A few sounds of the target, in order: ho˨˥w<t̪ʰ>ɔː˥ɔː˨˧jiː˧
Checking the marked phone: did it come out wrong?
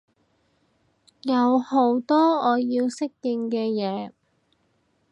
yes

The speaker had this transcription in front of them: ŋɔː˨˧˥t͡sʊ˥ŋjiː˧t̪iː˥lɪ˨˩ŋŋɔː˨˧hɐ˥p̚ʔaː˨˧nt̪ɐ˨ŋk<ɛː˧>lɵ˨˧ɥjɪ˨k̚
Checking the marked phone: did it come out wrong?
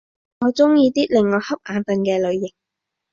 no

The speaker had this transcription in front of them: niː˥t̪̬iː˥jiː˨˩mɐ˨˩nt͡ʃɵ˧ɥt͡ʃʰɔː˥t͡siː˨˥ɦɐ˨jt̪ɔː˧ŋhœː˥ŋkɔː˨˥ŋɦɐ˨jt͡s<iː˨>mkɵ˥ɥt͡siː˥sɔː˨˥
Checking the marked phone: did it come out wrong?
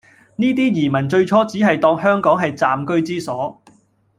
yes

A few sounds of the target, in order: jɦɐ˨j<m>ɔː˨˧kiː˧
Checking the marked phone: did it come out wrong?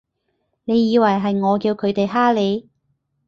yes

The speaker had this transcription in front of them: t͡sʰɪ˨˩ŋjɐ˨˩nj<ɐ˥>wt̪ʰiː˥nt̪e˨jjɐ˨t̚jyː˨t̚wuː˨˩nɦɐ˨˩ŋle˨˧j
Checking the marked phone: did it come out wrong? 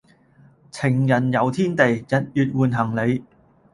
yes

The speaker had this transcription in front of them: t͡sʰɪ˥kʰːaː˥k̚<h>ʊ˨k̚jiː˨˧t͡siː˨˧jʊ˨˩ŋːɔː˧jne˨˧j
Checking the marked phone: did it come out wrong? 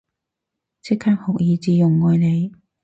no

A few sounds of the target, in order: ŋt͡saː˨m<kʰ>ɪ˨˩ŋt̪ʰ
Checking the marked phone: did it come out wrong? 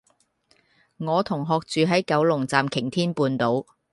no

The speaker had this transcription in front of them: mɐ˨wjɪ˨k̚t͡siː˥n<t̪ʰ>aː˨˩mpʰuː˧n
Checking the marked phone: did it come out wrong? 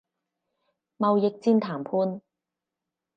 no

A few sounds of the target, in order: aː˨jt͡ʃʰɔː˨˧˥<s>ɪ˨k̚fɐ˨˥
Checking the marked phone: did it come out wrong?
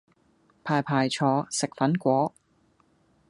no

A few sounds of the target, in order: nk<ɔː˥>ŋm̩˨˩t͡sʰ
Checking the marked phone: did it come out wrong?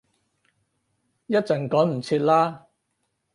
yes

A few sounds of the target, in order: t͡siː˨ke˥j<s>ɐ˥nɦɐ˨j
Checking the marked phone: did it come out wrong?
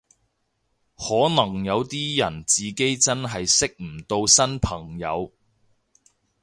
yes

